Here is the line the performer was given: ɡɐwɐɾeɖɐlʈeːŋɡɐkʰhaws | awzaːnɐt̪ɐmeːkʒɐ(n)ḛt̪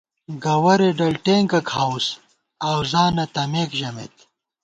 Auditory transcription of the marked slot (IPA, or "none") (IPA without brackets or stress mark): m